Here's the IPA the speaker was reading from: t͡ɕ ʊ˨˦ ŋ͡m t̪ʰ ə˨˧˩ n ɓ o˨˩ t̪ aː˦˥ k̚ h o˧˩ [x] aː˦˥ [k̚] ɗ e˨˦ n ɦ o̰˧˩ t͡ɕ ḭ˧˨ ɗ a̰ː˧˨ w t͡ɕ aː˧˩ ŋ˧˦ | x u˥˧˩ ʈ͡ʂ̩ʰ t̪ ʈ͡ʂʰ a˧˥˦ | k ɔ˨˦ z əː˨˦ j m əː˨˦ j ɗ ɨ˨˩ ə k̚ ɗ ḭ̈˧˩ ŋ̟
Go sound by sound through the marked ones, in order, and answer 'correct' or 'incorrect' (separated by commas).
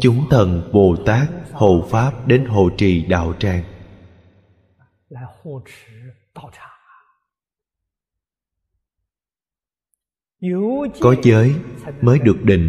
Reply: incorrect, incorrect